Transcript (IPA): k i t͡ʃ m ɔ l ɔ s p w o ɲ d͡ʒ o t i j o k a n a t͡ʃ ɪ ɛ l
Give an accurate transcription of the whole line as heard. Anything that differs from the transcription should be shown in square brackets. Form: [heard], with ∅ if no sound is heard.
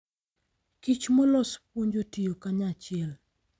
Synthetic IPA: k i t͡ʃ m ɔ l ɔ s p w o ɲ d͡ʒ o t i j o k a [ɲ] a t͡ʃ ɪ ɛ l